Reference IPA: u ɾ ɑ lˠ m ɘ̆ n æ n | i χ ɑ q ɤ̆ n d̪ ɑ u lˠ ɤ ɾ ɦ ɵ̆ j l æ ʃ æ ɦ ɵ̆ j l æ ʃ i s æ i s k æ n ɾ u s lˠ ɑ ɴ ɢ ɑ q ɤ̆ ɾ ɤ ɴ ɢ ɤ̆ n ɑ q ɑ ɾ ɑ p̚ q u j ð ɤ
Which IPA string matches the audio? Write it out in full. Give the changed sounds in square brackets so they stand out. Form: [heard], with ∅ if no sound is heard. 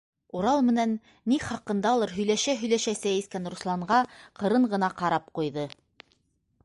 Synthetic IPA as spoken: u ɾ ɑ lˠ m ɘ̆ n æ [nː] | i χ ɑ q ɤ̆ n d̪ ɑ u lˠ ɤ ɾ ɦ ɵ̆ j l æ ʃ æ ɦ ɵ̆ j l æ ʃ [æ] s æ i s k æ n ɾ u s lˠ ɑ ɴ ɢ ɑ q ɤ̆ ɾ ɤ ɴ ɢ ɤ̆ n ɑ q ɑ ɾ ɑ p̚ q u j ð ɤ